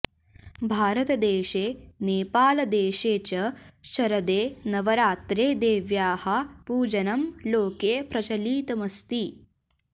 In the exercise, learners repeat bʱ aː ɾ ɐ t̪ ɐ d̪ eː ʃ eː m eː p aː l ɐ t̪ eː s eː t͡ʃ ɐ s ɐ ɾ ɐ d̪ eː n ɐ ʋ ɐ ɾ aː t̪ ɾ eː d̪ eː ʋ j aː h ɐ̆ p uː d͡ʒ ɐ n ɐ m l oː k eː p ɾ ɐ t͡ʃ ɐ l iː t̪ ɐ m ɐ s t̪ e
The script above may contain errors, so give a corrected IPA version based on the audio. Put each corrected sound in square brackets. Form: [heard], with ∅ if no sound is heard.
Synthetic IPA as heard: bʱ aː ɾ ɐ t̪ ɐ d̪ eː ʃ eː [n] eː p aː l ɐ [d̪] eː [ʃ] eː t͡ʃ ɐ [ʃ] ɐ ɾ ɐ d̪ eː n ɐ ʋ ɐ ɾ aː t̪ ɾ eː d̪ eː ʋ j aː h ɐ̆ p uː d͡ʒ ɐ n ɐ m l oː k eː p ɾ ɐ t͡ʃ ɐ l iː t̪ ɐ m ɐ s t̪ [i]